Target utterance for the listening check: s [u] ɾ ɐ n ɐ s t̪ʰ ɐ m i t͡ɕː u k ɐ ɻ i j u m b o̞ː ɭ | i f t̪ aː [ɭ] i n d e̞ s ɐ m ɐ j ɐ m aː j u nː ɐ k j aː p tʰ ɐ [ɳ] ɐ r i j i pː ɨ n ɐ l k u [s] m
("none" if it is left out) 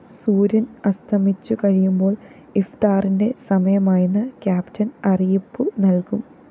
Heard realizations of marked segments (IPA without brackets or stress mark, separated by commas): uː, r, n, none